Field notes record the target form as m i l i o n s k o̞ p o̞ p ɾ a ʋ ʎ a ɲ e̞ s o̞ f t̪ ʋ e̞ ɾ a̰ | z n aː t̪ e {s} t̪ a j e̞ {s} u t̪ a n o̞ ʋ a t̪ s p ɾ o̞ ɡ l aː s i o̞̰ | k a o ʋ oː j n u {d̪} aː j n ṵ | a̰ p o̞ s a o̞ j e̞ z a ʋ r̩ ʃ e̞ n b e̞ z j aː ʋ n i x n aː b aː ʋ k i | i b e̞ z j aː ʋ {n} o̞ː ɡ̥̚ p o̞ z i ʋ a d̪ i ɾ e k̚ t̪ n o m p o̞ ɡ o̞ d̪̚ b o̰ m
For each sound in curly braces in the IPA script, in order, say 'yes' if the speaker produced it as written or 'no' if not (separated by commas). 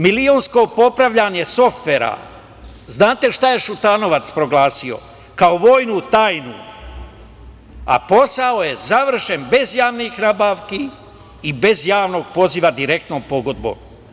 no, no, no, yes